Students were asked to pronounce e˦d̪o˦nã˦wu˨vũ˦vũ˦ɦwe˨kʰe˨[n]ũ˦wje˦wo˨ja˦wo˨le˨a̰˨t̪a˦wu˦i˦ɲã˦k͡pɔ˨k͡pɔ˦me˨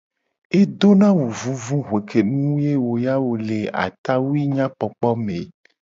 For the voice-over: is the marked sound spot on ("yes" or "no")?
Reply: yes